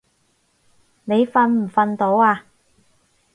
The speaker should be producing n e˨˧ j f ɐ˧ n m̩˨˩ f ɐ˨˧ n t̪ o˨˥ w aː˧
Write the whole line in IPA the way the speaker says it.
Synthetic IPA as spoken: n e˨˧ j f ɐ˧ n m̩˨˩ f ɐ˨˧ n t̪ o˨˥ w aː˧